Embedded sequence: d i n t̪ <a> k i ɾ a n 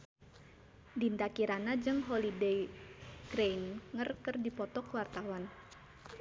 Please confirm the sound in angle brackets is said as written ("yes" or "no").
yes